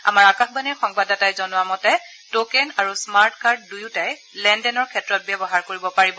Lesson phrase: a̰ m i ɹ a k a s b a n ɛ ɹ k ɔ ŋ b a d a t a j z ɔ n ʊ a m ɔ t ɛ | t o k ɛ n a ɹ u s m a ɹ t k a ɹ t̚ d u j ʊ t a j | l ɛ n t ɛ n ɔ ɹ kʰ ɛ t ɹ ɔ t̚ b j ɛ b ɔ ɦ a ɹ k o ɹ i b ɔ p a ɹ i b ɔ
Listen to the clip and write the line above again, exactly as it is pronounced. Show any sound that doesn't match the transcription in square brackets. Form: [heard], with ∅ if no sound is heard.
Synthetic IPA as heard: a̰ m [a] ɹ a k a [x] b a n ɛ ɹ [x] ɔ ŋ b a d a t a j z ɔ n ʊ a m ɔ t ɛ | t o k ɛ n a ɹ u s m a ɹ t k a ɹ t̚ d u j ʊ t a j | l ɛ n [d] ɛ n ɔ ɹ kʰ ɛ t ɹ ɔ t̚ b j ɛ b ɔ ɦ a ɹ k o ɹ i b ɔ p a ɹ i b ɔ

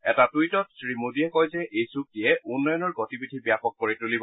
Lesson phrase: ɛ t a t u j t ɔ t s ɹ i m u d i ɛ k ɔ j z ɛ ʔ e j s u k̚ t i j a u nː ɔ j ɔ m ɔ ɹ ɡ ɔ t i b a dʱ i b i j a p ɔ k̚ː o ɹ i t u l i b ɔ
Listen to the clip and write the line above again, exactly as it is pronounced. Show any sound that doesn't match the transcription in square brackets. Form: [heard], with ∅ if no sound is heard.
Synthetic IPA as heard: ɛ t a t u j t ɔ t s ɹ i m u d i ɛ k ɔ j z ɛ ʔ e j s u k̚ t i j [ɛ] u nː ɔ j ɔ [n] ɔ ɹ ɡ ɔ t i b [i] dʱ i b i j a p ɔ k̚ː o ɹ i t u l i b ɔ

